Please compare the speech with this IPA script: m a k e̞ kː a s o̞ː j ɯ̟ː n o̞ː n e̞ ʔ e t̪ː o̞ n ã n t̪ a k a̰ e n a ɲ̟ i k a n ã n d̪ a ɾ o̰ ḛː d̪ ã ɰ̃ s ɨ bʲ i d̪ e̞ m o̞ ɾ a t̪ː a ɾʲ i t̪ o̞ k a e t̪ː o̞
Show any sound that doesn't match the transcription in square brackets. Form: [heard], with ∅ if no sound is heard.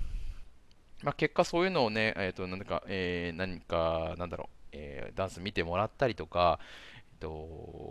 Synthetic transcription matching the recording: m a k e̞ kː a s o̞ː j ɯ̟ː n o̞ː n e̞ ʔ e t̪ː o̞ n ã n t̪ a k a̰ e n a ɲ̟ i k a n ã n d̪ a ɾ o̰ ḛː d̪ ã ɰ̃ s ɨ [mʲ] i [t̪] e̞ m o̞ ɾ a t̪ː a ɾʲ i t̪ o̞ k a e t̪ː o̞